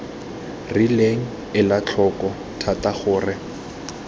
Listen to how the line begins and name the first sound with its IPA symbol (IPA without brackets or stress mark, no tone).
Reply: r